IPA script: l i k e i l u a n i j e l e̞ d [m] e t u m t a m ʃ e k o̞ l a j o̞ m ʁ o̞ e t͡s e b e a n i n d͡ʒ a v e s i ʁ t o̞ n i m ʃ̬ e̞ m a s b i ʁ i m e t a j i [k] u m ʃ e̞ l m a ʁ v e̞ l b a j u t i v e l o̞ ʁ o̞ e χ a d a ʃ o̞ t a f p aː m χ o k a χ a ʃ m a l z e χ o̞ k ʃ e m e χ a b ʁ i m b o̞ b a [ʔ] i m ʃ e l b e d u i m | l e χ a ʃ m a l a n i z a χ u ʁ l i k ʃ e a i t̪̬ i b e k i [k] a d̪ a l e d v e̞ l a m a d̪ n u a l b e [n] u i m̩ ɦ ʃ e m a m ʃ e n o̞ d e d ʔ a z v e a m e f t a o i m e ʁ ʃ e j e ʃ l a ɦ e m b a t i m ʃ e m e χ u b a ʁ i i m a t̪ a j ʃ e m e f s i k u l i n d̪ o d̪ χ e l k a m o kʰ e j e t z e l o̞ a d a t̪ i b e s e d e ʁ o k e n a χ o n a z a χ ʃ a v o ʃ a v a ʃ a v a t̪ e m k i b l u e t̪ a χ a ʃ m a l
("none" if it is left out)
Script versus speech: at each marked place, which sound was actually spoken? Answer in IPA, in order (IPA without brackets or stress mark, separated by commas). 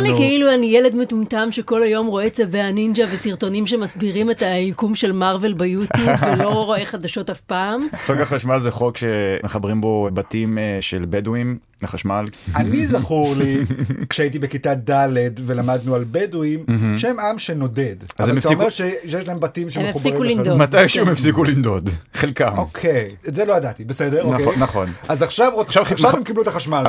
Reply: m, k, t, t, d